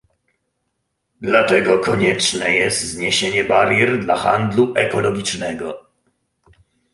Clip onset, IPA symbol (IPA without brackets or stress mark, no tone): d̪